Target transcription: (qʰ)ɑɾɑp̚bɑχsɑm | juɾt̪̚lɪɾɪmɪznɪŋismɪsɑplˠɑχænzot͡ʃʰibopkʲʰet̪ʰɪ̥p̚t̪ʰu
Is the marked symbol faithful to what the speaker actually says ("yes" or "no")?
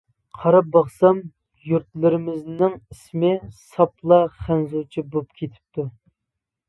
yes